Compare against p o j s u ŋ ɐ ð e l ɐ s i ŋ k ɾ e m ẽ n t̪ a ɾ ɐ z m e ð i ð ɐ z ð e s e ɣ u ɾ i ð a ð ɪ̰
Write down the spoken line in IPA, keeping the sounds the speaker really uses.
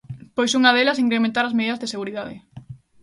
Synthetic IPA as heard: p o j s u ŋ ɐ ð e l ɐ s i ŋ k ɾ e m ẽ n t̪ a ɾ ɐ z m e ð i ð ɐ z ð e s e ɣ u ɾ i ð a ð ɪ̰